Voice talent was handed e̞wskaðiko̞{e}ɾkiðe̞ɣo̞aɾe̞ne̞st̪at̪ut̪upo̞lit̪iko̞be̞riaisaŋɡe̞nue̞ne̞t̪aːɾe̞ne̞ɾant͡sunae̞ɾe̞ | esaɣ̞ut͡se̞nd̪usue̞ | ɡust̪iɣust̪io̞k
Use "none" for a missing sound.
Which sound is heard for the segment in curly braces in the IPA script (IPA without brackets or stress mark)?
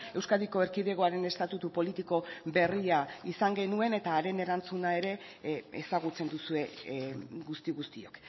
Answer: e